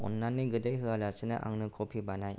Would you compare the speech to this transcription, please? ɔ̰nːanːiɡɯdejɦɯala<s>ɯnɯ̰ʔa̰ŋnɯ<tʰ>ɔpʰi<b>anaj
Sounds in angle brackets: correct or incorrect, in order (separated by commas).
correct, incorrect, correct